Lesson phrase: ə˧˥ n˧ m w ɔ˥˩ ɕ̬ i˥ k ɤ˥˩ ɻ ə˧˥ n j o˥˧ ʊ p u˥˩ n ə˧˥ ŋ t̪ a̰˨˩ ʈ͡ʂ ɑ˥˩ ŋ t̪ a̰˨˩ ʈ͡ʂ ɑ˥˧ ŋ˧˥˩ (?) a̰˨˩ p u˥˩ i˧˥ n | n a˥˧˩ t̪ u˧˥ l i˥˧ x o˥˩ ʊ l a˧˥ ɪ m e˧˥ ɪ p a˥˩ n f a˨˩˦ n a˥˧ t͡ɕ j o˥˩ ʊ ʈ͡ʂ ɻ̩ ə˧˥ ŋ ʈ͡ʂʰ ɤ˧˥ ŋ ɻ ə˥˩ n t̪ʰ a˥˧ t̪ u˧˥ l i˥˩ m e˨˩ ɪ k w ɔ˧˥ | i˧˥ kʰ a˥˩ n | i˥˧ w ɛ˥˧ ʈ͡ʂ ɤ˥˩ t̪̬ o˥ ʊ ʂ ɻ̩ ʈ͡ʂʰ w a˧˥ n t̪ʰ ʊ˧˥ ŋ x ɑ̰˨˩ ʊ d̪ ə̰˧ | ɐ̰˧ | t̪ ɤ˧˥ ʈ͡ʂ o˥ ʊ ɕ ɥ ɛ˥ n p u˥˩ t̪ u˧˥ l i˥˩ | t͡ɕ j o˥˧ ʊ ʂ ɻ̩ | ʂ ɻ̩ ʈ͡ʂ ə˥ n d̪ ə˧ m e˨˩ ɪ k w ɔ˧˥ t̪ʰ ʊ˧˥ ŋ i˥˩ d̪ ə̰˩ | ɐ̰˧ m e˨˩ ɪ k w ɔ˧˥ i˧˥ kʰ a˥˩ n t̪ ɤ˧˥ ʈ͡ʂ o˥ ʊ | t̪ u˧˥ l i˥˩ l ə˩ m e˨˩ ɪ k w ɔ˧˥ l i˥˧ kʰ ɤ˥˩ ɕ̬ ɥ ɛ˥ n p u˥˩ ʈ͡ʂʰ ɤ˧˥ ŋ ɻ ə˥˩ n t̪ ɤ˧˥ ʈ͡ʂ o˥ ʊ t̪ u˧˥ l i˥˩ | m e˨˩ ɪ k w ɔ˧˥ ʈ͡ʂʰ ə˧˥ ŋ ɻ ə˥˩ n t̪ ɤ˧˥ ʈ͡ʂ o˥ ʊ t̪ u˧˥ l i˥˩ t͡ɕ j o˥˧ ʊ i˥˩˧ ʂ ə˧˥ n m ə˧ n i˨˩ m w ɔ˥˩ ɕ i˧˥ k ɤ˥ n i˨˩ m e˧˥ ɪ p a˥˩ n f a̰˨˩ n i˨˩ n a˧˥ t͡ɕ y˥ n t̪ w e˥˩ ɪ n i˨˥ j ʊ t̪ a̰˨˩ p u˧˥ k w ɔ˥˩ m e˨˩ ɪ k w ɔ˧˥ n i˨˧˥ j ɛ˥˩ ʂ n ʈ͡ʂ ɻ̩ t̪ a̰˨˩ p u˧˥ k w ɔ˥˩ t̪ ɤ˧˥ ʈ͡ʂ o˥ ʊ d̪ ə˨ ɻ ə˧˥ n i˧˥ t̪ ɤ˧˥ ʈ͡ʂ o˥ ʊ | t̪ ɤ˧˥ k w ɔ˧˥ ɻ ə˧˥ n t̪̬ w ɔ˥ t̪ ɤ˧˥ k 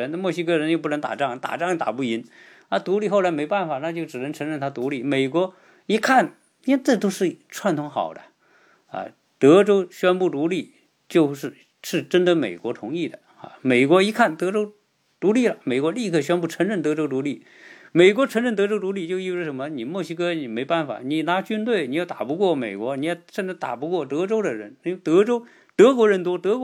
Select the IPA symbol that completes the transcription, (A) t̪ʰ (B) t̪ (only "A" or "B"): B